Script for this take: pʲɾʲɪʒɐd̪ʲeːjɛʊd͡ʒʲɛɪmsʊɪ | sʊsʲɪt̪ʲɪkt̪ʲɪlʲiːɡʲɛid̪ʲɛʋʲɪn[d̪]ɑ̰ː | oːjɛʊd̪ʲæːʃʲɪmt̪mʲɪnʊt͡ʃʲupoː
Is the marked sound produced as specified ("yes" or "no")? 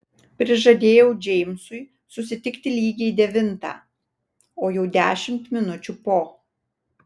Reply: no